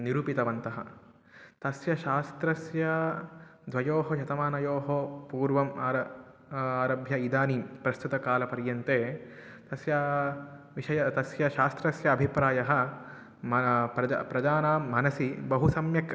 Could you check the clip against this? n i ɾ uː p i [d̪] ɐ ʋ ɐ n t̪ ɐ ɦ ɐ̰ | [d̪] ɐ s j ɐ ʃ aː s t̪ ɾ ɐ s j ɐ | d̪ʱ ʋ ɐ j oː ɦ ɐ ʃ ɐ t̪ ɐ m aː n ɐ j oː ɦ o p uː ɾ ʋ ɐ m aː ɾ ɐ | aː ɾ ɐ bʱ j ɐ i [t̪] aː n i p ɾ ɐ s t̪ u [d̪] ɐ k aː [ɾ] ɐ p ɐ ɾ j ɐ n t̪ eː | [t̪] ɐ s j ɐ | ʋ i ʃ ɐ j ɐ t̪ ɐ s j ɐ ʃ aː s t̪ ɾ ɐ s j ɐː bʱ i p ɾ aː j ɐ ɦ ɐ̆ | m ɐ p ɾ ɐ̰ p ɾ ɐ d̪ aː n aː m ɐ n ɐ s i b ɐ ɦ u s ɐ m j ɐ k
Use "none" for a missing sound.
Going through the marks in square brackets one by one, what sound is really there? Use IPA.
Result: t̪, t̪, d̪, t̪, l, t̪

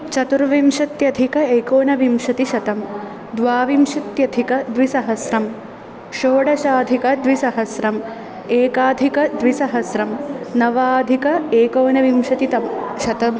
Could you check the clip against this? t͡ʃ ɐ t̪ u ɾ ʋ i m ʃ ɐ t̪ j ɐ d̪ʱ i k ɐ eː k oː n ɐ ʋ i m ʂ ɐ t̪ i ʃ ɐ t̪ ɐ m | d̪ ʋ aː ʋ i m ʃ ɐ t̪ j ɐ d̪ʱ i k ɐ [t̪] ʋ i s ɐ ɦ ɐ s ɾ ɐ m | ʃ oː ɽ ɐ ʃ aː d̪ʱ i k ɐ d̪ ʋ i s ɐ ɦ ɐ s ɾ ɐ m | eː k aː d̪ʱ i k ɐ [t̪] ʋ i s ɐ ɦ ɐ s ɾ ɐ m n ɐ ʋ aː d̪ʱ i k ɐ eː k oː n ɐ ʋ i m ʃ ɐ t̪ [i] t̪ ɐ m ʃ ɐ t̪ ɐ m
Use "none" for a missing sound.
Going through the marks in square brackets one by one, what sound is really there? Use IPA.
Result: d̪, d̪, i

